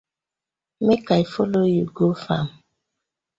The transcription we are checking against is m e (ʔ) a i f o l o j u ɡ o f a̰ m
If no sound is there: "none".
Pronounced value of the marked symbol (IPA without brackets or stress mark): k